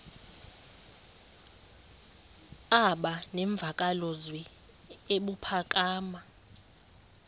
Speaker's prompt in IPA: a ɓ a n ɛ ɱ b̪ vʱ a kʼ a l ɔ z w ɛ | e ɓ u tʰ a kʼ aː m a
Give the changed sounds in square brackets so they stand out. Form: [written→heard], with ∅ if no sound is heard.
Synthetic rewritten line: a ɓ a n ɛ ɱ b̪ vʱ a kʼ a l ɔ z w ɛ | e ɓ u [tʰ→pʰ] a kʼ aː m a

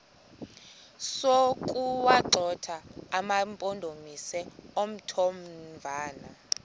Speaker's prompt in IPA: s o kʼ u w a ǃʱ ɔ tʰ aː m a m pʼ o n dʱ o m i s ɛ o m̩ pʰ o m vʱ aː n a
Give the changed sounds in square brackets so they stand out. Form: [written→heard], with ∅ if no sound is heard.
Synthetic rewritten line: s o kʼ u w a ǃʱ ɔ tʰ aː m a m pʼ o n dʱ o m i s ɛ o m̩ [pʰ→tʰ] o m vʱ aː n a

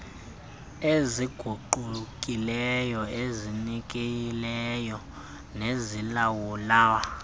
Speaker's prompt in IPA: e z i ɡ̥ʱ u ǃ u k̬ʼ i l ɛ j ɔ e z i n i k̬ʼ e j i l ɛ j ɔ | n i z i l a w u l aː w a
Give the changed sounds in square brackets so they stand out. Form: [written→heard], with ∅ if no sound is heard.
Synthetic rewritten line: e z i ɡ̥ʱ u ǃ u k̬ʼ i l ɛ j ɔ e z i n i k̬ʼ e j i l ɛ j ɔ | n [i→e] z i l a w u l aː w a

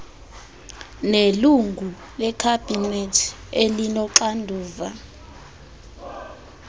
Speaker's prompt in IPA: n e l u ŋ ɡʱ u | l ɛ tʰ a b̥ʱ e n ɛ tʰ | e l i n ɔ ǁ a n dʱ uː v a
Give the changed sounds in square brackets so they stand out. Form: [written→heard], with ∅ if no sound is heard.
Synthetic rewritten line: n e l u ŋ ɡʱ u | l ɛ [tʰ→kʰ] a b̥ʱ [e→i] n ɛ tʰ | e l i n ɔ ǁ a n dʱ uː v a

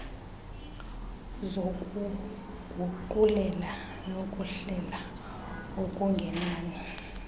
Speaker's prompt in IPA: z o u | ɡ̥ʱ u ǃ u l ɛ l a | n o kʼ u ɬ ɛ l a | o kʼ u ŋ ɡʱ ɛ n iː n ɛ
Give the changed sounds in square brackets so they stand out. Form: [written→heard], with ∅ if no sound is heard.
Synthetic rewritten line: z o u | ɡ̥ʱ u ǃ u l ɛ l a | n o kʼ u ɬ ɛ l a | o kʼ u ŋ ɡʱ ɛ n [iː→aː] n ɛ

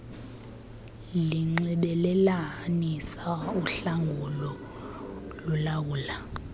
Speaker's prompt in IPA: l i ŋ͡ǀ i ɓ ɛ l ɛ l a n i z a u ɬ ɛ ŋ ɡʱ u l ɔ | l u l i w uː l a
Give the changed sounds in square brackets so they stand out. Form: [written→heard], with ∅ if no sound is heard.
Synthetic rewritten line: l i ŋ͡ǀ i ɓ ɛ l ɛ l a n i [z→s] a u ɬ [ɛ→a] ŋ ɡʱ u l ɔ | l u l [i→a] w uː l a

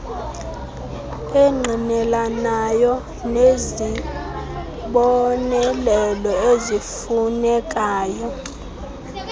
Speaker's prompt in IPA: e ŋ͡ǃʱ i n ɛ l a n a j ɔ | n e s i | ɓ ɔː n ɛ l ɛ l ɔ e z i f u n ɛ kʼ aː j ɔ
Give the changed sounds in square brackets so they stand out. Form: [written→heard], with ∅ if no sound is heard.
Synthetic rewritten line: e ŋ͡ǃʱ i n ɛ l a n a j ɔ | n e [s→z] i | ɓ [ɔː→ɔ] n ɛ l ɛ l ɔ e z i f u n ɛ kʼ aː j ɔ

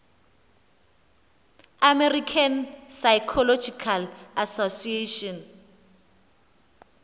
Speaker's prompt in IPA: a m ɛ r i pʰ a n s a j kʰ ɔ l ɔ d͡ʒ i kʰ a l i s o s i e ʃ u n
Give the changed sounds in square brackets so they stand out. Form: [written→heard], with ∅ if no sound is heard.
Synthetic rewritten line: a m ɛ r i [pʰ→kʰ] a n s a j kʰ ɔ l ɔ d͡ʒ i kʰ a l [i→a] s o s i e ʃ [u→ɔ] n

